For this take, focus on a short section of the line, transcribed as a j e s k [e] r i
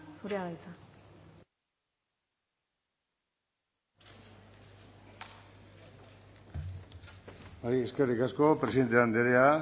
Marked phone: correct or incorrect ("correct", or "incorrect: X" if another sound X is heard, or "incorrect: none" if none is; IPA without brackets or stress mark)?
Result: correct